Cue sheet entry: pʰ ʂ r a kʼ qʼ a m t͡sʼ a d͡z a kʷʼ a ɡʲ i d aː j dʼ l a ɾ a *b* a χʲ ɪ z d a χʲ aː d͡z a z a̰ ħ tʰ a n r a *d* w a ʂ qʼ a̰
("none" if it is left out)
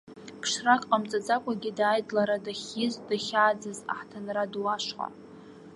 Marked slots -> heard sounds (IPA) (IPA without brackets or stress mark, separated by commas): d, d